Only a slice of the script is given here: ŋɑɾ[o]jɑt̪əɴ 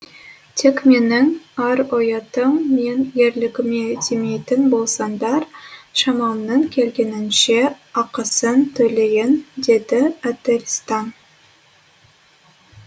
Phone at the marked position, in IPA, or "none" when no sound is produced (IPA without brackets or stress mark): o